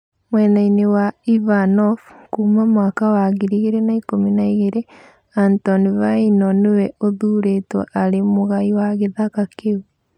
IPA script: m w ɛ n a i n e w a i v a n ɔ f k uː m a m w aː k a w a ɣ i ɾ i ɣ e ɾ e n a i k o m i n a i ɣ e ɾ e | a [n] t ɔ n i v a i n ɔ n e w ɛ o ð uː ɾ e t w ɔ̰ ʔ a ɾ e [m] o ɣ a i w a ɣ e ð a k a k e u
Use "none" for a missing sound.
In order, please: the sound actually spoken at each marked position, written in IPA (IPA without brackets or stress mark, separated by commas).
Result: n, m